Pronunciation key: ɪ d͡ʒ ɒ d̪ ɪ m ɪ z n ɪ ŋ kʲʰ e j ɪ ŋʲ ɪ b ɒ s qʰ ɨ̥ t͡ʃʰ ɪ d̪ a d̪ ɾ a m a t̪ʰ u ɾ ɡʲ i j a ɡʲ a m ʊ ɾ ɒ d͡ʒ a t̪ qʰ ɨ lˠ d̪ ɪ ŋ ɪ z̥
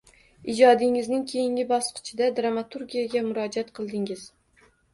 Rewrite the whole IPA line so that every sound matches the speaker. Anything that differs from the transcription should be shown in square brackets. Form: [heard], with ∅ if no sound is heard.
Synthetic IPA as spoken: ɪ d͡ʒ ɒ d̪ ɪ [ŋ] ɪ z n ɪ ŋ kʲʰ e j ɪ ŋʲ ɪ b ɒ s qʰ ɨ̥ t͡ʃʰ ɪ d̪ a d̪ ɾ a m a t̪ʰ u ɾ ɡʲ i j a ɡʲ a m ʊ ɾ ɒ d͡ʒ a t̪ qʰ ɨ lˠ d̪ ɪ ŋ ɪ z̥